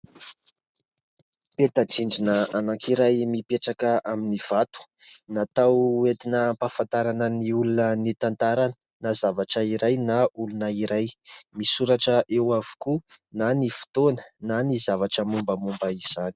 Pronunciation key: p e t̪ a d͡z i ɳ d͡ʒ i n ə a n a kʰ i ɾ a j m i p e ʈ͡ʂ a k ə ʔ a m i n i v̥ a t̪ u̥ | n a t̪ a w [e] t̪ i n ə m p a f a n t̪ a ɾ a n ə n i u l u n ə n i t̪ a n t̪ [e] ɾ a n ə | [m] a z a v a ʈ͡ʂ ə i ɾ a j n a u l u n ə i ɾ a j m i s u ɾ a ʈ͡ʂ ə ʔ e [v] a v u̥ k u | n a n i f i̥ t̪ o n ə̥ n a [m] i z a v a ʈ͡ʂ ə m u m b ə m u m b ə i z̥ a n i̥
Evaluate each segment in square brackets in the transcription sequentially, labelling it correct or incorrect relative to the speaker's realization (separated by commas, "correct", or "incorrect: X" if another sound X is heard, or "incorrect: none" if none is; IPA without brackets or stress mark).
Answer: correct, incorrect: a, incorrect: n, incorrect: w, incorrect: n